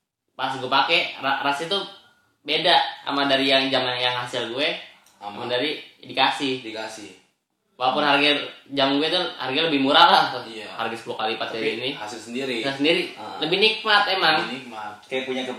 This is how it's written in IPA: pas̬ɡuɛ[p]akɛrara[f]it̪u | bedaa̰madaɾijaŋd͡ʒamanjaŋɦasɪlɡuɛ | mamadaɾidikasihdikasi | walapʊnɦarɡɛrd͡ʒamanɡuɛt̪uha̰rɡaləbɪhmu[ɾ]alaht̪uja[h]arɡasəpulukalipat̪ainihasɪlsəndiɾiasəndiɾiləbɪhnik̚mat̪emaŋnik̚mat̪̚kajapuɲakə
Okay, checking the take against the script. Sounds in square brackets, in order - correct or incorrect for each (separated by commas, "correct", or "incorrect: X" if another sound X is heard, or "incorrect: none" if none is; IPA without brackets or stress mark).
correct, incorrect: s, correct, correct